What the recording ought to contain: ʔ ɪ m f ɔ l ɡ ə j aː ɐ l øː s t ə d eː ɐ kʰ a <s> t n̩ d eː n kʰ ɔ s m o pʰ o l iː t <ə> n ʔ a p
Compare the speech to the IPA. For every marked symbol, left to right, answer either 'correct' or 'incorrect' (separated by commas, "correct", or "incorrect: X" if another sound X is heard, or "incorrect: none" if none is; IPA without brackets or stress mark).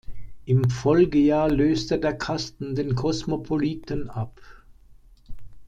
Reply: correct, correct